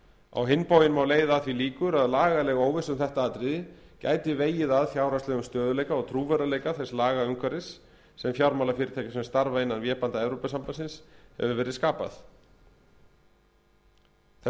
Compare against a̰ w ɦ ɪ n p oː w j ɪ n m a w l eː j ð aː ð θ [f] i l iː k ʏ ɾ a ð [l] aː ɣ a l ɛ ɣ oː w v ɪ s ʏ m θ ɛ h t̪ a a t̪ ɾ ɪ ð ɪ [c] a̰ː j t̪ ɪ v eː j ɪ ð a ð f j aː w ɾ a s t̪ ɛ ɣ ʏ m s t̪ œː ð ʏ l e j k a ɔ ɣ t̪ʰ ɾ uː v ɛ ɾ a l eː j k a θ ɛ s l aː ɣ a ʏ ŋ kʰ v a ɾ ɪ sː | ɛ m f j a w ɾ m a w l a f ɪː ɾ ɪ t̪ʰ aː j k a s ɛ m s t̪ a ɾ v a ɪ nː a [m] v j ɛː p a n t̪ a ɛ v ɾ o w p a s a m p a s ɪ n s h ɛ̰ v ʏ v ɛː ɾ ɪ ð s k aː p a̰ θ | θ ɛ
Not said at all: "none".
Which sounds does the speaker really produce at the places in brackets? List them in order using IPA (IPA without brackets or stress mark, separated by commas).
v, l, c, n